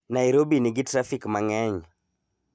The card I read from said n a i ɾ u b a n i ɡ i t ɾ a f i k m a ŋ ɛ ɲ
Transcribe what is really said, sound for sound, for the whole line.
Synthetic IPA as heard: n a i ɾ o b i n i ɡ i t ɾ a f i k m a ŋ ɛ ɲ